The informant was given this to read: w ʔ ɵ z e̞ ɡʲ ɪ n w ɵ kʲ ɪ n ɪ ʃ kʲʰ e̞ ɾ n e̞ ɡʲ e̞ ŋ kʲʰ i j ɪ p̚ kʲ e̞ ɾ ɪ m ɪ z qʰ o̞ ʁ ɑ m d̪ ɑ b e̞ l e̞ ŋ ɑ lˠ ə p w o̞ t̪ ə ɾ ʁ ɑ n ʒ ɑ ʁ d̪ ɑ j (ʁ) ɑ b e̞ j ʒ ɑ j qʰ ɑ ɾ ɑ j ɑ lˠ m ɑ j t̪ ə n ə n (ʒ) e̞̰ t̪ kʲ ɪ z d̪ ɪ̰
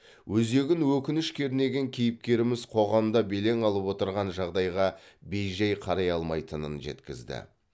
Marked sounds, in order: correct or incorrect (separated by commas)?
correct, correct